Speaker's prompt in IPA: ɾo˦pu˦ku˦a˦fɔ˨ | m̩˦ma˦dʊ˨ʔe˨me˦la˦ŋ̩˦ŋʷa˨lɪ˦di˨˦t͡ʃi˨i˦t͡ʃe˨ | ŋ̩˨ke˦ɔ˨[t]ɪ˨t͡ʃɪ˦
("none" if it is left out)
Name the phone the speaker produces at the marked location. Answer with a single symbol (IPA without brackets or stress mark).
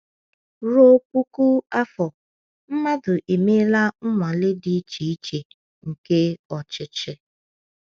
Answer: t͡ʃ